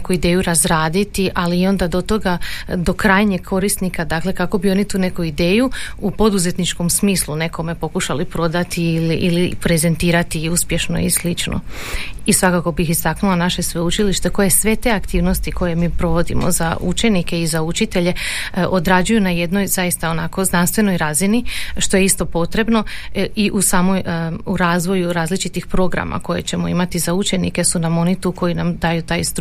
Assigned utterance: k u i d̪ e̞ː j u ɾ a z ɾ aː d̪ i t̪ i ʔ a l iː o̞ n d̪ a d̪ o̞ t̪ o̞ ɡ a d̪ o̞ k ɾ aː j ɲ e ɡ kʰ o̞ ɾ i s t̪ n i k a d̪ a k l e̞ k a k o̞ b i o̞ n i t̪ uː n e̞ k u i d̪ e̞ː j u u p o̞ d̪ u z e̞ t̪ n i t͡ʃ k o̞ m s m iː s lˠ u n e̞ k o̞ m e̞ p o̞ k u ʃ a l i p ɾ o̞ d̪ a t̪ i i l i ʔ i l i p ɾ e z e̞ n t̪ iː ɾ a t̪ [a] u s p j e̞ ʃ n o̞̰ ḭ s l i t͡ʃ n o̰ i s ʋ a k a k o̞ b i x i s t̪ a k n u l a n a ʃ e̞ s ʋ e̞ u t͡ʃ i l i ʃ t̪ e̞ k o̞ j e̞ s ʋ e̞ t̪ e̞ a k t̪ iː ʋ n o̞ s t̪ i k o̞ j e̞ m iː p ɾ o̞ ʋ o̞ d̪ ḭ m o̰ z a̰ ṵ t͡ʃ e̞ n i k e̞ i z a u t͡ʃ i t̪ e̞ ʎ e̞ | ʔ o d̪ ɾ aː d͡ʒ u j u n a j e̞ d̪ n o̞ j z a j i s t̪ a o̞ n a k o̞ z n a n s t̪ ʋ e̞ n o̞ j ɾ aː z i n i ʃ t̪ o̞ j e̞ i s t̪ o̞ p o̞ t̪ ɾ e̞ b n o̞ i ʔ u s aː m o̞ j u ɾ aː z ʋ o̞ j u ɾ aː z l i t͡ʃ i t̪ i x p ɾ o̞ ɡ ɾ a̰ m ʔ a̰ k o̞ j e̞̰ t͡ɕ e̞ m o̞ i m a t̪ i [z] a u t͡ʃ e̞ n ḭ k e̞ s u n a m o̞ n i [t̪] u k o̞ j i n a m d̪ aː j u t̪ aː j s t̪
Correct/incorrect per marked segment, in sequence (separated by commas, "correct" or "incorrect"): incorrect, correct, correct